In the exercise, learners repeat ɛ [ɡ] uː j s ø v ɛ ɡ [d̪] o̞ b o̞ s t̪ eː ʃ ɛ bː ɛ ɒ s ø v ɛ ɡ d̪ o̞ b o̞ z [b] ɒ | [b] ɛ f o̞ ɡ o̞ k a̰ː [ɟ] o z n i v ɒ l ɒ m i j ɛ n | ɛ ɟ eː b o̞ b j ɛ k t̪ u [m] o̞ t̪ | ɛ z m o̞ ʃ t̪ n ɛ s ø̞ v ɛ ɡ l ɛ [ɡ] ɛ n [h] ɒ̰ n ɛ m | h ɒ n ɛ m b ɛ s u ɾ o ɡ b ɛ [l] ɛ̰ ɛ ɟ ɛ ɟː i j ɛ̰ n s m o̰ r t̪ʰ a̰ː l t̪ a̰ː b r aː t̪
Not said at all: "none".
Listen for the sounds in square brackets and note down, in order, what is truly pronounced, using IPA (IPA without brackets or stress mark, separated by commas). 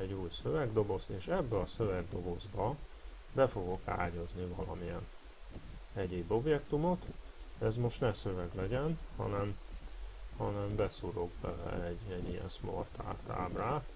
ɟ, d̪, b, b, ɟ, m, ɟ, h, l